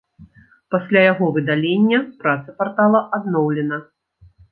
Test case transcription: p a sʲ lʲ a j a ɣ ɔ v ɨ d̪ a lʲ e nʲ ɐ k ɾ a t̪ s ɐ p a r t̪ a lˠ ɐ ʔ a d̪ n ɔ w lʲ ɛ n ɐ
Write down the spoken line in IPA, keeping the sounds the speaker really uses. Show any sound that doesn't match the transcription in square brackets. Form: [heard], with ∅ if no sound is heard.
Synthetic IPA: p a sʲ lʲ a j a ɣ ɔ v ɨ d̪ a lʲ e [nʲː] ɐ [p] ɾ a t̪ s ɐ p a r t̪ a lˠ ɐ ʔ a d̪ n ɔ w lʲ ɛ n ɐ